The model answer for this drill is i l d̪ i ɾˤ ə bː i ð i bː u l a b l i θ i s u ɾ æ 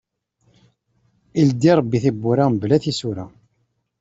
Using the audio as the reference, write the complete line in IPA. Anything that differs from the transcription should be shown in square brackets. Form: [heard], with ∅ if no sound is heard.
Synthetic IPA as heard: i l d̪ i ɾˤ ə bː i [θ] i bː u [ɾ] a b l [æ] θ i s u ɾ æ